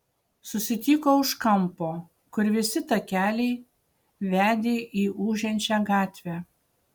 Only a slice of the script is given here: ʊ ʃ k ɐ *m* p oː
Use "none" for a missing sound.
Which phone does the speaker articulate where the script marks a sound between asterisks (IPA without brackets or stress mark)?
m